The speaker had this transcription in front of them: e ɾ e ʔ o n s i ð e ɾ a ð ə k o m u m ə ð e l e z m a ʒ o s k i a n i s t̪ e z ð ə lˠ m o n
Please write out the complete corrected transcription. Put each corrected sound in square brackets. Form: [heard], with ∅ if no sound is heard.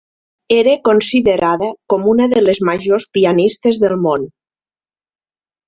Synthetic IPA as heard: e ɾ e [k] o n s i ð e ɾ a ð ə k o m u [n] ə ð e l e z m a ʒ o s [p] i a n i s t̪ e z ð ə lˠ m o n